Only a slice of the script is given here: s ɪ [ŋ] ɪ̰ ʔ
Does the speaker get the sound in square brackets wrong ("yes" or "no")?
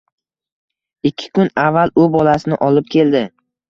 yes